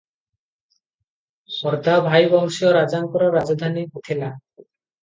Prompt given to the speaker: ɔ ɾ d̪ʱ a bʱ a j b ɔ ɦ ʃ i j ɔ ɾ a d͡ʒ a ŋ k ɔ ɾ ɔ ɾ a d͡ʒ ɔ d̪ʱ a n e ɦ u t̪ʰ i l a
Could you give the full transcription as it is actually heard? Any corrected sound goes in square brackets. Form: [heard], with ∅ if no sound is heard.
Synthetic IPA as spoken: ɔ ɾ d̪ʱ a bʱ a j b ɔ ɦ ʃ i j ɔ ɾ a d͡ʒ a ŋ k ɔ ɾ ɔ ɾ a d͡ʒ ɔ d̪ʱ a n [i] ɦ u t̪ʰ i l a